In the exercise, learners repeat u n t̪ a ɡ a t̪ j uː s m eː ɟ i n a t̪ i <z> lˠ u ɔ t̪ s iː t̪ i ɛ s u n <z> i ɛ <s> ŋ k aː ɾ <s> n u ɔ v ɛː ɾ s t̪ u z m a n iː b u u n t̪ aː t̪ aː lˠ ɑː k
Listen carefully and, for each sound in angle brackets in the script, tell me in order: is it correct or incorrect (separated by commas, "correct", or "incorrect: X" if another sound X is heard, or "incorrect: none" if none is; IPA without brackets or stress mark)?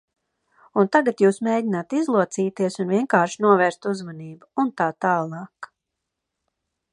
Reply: correct, incorrect: v, incorrect: none, incorrect: ʃ